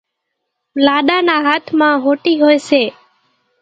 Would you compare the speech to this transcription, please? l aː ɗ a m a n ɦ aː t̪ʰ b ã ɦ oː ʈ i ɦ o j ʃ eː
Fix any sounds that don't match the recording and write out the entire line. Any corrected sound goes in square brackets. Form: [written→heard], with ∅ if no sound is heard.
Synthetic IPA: l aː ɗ a [m→n] a [n→∅] ɦ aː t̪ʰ [b→m] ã ɦ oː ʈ i ɦ o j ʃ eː